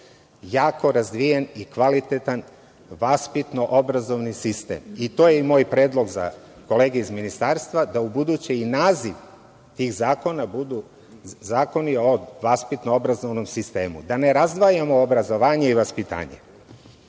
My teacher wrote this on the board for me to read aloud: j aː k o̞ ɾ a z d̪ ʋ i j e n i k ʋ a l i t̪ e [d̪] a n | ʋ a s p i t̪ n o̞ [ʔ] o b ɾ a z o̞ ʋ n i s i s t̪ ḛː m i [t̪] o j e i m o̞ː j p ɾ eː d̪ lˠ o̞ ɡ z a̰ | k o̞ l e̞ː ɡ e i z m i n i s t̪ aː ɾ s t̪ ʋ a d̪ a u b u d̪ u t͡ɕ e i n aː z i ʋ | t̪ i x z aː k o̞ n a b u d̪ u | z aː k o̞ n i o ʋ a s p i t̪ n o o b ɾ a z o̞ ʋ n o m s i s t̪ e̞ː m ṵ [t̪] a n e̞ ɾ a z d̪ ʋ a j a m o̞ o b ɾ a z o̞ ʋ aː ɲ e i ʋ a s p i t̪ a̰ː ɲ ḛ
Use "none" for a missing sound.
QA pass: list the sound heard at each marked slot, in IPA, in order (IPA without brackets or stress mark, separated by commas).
t̪, ʔ, t̪, d̪